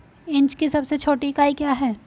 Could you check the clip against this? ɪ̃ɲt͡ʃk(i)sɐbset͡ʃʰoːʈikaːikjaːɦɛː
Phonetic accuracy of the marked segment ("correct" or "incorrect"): correct